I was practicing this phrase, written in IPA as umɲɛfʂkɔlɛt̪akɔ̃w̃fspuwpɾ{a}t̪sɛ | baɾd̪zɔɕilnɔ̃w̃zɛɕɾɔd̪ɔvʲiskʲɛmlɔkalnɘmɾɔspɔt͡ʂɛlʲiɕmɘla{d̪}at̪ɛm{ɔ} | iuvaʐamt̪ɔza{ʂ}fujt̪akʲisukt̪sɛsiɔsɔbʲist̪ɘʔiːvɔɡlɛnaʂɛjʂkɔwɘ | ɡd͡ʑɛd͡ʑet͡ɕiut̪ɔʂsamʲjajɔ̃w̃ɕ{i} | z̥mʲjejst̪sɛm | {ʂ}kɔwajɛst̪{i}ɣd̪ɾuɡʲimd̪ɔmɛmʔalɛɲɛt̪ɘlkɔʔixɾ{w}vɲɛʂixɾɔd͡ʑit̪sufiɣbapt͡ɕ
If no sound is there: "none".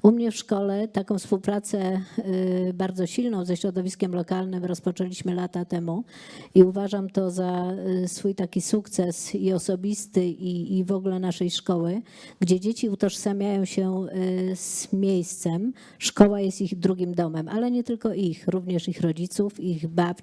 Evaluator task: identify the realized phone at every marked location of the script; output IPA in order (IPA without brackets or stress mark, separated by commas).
a, t̪, u, s, ɛ, ʂ, i, u